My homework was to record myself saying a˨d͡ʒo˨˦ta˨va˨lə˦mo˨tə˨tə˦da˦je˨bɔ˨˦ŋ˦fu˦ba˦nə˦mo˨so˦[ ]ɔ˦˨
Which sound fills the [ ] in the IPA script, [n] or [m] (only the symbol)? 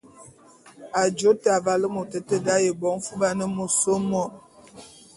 m